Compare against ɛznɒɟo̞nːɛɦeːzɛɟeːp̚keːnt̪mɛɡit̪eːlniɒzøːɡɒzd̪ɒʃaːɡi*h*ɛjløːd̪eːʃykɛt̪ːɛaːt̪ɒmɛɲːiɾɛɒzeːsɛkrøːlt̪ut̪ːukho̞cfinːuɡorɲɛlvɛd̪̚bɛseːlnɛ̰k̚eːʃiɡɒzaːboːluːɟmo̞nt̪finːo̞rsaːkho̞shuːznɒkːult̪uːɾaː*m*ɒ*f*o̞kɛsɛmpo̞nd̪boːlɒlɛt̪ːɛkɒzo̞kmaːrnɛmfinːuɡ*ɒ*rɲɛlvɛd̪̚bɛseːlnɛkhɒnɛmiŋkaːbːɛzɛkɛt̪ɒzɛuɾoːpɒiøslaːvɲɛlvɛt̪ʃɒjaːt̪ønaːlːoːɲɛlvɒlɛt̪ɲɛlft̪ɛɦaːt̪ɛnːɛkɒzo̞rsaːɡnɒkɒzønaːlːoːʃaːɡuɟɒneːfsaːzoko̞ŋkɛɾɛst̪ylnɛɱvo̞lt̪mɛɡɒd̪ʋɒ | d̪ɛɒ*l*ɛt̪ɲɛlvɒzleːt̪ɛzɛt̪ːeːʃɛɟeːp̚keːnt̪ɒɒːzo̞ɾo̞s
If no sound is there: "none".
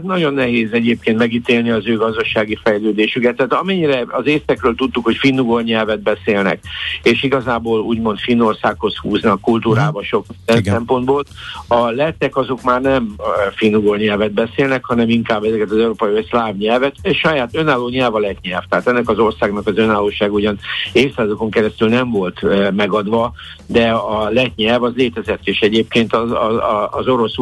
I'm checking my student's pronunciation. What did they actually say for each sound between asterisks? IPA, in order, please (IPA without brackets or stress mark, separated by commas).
f, b, ʃ, o, l